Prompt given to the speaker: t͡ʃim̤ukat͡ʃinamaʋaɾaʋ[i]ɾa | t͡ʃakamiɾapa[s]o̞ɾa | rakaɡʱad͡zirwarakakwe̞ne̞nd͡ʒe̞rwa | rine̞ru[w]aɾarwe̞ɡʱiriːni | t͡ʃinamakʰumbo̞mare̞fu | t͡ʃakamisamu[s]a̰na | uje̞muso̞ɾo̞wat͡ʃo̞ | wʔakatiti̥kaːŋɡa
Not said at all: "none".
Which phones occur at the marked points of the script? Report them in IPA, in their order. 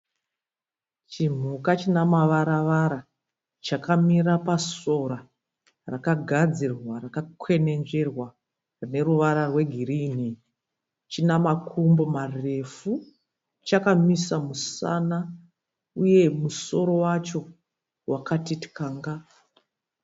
a, s, ʋ, s

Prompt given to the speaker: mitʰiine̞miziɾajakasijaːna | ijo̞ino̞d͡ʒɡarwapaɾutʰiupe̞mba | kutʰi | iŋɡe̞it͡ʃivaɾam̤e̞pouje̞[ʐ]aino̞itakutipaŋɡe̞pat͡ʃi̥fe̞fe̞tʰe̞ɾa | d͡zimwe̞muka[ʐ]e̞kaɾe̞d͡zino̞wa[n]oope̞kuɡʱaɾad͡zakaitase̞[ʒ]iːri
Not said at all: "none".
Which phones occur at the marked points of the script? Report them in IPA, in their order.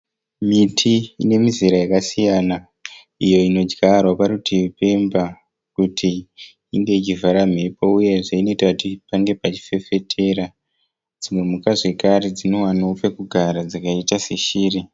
ʐ, ʐ, n, ʃ

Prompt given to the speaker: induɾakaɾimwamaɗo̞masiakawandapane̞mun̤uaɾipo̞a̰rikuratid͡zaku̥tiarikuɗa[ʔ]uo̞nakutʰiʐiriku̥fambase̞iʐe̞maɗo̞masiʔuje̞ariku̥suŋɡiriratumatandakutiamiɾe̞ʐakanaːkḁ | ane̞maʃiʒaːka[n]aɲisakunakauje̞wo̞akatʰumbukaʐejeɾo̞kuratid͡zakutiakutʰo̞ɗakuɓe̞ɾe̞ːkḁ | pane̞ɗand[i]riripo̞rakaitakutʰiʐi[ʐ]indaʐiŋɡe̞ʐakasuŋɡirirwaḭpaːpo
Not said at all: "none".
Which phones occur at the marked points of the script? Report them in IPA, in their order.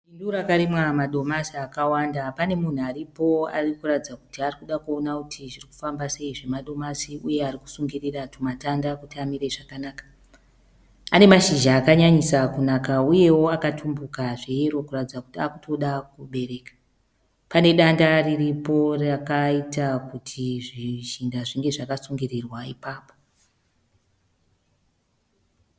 k, ɲ, a, ʒ

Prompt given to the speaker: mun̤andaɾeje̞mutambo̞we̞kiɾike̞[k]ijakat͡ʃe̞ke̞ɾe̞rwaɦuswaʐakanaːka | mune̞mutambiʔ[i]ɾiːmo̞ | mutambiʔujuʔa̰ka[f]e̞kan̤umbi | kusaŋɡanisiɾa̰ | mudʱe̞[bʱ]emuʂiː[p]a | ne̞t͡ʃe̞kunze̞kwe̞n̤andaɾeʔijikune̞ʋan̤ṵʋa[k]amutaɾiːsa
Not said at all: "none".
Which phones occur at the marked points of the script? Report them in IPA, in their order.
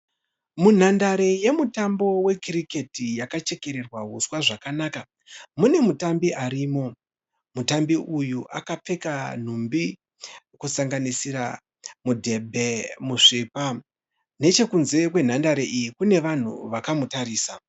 t, a, p͡f, bʱ, p, k

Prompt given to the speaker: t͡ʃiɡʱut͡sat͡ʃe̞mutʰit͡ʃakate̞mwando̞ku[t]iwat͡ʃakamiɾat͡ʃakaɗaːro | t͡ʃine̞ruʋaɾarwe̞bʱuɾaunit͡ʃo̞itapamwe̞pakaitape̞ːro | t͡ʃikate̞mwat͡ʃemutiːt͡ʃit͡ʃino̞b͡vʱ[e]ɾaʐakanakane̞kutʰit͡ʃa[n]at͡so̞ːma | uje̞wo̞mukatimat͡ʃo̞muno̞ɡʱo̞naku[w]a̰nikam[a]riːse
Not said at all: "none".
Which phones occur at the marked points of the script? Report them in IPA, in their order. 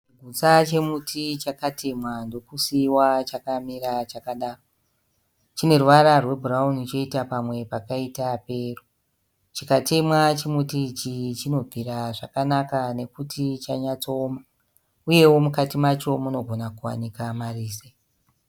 s, i, ɲ, w, a

